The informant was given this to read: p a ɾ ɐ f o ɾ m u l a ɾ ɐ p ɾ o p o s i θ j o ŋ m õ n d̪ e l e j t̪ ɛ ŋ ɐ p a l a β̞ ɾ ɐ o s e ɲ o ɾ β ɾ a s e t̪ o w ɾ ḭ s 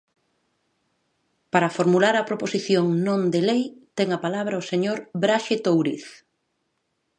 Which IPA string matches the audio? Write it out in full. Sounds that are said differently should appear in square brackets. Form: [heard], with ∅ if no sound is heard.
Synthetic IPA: p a ɾ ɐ f o ɾ m u l a ɾ ɐ p ɾ o p o s i θ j o ŋ [n] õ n d̪ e l e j t̪ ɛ ŋ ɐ p a l a β̞ ɾ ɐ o s e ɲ o ɾ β ɾ a [ʃ] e t̪ o w ɾ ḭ [θ]